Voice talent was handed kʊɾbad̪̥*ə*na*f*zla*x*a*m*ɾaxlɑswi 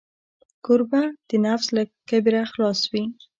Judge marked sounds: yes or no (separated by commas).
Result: yes, yes, no, no